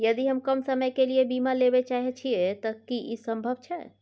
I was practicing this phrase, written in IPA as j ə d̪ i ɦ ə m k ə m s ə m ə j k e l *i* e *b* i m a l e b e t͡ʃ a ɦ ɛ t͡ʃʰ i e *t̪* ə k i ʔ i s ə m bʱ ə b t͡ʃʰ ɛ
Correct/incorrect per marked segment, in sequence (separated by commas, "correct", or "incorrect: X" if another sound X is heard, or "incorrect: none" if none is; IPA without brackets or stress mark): correct, correct, correct